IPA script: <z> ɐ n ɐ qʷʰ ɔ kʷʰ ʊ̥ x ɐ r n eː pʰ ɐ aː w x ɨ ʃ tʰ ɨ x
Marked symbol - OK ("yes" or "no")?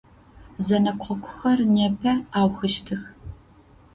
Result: yes